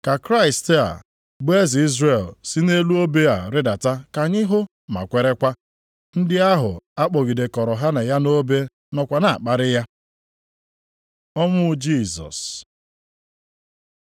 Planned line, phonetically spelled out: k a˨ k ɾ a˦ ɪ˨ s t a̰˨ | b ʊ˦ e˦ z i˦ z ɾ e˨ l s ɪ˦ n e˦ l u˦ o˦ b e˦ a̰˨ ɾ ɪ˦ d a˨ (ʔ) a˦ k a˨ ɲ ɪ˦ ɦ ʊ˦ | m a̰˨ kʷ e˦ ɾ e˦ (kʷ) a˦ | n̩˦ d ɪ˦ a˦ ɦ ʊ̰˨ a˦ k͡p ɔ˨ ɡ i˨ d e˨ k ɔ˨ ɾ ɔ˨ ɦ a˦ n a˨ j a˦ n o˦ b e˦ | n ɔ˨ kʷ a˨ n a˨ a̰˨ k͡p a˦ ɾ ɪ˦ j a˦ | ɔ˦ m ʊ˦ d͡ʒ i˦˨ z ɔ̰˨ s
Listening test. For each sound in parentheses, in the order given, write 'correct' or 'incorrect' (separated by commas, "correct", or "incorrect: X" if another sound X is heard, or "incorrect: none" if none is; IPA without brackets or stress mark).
incorrect: t, correct